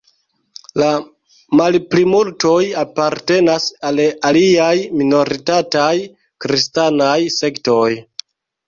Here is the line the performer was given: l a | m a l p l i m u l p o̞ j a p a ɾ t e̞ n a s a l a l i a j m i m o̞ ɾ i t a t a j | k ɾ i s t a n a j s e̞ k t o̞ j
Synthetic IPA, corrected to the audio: l a | m a l p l i m u l t o̞ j a p a ɾ t e̞ n a s a l a l i a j m i n o̞ ɾ i t a t a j | k ɾ i s t a n a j s e̞ k t o̞ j